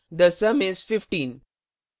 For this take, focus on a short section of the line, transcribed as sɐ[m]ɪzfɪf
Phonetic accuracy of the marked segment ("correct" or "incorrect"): correct